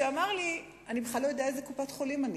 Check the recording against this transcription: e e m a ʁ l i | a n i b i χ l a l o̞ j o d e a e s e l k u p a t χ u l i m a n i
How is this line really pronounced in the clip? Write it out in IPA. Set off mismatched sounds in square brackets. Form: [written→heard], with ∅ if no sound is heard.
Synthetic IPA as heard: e [e→a] m a ʁ l i | a n i b [i→e] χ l a l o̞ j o d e a e [s→z] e [l→∅] k u p a t χ [u→o] l i m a n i